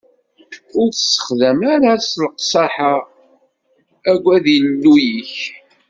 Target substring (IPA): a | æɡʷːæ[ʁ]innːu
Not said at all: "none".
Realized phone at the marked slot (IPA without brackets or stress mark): ð